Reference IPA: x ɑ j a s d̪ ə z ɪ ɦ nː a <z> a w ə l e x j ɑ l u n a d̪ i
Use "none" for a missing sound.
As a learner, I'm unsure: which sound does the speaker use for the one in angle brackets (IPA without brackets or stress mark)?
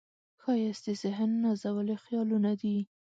z